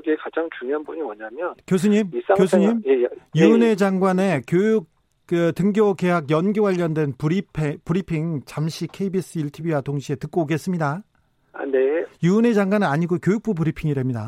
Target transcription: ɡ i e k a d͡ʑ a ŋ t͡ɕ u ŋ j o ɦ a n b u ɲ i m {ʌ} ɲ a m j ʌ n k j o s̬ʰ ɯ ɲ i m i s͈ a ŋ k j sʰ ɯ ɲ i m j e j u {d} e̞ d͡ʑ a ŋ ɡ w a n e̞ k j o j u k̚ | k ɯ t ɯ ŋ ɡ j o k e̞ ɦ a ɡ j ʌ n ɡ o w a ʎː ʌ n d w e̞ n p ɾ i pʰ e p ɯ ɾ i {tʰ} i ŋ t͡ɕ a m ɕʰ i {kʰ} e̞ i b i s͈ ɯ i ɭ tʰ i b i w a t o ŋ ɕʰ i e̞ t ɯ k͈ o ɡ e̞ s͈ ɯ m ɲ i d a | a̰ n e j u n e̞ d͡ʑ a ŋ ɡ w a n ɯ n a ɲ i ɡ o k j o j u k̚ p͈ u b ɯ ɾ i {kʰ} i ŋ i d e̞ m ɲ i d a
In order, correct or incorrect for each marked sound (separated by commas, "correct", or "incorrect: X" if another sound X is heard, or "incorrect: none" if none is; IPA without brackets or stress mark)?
correct, incorrect: n, incorrect: pʰ, correct, incorrect: pʰ